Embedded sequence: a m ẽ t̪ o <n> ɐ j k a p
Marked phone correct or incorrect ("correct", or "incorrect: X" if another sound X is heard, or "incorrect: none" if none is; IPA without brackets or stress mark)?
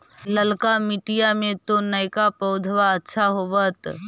correct